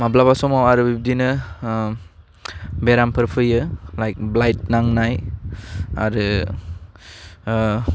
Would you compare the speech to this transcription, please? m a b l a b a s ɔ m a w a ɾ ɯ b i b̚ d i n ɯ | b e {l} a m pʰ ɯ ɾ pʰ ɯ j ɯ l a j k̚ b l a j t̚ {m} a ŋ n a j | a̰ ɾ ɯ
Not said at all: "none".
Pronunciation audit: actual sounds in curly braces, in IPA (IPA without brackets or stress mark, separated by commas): ɾ, n